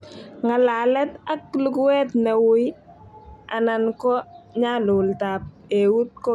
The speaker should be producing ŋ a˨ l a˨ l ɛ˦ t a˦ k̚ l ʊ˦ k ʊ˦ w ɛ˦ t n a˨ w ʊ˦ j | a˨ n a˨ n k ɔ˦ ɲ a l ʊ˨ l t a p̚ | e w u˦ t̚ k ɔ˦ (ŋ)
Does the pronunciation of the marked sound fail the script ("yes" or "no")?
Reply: yes